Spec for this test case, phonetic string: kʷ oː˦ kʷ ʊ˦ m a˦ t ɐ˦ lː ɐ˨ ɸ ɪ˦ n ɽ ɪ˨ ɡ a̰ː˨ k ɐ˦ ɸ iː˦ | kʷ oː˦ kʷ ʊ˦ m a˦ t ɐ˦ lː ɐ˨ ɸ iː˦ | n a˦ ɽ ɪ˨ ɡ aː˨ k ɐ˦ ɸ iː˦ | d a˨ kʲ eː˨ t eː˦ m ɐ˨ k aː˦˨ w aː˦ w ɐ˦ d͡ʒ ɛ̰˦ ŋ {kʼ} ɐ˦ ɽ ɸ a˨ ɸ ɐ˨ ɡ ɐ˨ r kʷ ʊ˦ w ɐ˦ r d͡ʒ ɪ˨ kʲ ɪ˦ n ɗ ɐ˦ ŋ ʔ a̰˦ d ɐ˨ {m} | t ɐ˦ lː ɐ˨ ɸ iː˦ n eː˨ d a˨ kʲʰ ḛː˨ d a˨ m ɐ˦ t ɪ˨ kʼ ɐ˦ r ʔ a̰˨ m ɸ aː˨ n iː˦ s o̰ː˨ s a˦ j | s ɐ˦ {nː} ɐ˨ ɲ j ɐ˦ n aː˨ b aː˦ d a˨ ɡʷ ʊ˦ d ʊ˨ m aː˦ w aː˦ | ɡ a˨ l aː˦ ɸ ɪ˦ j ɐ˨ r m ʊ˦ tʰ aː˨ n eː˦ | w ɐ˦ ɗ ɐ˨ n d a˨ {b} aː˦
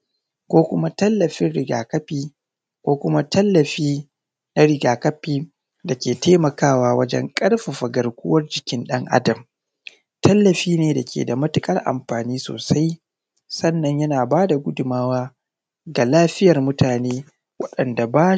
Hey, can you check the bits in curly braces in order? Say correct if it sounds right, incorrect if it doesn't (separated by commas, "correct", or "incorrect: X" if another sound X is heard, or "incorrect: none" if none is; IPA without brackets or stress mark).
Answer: correct, correct, correct, correct